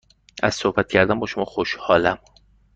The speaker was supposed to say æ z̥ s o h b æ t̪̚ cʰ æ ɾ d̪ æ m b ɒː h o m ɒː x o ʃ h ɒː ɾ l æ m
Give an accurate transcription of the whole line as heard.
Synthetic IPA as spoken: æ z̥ s o h b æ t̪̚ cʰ æ ɾ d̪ æ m b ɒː ʃ o m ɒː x o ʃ h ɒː l æ m

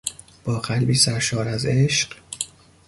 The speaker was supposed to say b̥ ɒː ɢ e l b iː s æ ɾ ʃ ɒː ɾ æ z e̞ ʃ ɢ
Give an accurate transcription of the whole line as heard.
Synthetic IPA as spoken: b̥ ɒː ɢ æ l b iː s æ ɾ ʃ ɒː ɾ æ z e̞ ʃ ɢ

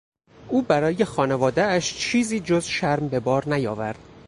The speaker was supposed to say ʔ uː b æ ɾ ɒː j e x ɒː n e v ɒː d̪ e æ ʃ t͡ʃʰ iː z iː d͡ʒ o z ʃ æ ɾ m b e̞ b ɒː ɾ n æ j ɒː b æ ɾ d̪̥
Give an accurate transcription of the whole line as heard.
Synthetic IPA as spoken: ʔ uː b æ ɾ ɒː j e x ɒː n e v ɒː d̪ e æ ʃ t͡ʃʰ iː z iː d͡ʒ o z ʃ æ ɾ m b e̞ b ɒː ɾ n æ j ɒː v æ ɾ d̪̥

